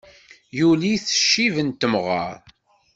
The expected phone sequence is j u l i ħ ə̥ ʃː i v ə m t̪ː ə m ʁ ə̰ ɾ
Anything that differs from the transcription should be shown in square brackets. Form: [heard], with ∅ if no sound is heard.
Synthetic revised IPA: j u l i [θ] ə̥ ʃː i v ə [n] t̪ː ə m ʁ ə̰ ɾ